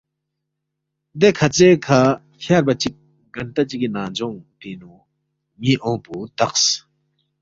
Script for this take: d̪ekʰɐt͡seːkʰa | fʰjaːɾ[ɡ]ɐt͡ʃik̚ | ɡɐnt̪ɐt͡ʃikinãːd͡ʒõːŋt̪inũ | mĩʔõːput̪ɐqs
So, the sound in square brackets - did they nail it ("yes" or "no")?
no